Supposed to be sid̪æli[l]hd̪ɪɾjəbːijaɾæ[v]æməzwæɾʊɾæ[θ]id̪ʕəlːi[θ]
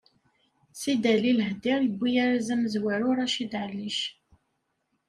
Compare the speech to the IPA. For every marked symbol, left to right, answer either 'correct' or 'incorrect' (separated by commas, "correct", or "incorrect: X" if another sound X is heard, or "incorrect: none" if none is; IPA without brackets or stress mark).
correct, incorrect: z, incorrect: ʃ, incorrect: ʃ